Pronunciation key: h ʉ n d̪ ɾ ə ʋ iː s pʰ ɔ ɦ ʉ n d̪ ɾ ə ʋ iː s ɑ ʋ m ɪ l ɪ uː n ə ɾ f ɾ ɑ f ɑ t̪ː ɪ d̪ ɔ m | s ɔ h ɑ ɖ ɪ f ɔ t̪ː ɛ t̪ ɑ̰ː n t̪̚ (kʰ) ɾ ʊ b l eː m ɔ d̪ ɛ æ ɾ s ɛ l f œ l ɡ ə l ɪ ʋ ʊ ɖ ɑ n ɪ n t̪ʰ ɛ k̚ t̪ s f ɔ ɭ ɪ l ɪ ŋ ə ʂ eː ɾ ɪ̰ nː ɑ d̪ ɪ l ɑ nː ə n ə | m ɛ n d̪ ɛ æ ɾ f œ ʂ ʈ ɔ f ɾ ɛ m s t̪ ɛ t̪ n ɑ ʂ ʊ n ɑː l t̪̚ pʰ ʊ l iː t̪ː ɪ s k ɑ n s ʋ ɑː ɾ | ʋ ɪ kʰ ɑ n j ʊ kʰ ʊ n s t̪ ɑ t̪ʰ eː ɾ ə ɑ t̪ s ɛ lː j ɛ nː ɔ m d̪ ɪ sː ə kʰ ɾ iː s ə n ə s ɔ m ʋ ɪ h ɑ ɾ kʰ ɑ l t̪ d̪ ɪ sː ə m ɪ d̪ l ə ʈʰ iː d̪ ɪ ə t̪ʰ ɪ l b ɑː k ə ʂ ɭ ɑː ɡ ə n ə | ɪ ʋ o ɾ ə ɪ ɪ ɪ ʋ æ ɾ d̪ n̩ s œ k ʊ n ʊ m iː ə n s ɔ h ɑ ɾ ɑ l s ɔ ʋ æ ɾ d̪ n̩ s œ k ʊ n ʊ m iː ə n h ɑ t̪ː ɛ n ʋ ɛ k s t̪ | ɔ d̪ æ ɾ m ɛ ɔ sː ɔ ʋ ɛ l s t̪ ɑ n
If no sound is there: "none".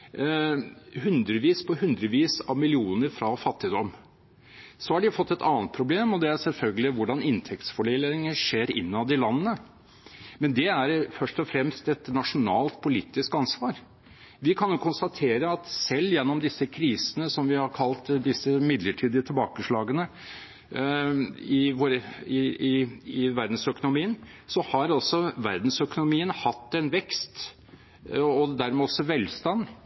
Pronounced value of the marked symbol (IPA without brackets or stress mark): pʰ